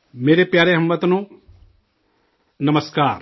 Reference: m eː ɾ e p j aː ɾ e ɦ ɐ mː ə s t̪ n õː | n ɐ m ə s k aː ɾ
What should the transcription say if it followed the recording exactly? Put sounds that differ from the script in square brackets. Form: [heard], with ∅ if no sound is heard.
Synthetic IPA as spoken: m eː ɾ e p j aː ɾ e ɦ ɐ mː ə [∅] t̪ n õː | n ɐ m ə s k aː ɾ